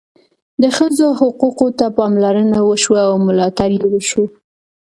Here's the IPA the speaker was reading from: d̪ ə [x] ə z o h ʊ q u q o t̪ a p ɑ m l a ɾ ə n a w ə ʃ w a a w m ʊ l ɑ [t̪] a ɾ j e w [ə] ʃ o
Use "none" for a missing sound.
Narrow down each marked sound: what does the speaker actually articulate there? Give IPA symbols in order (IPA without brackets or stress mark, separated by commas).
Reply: x, t̪, ə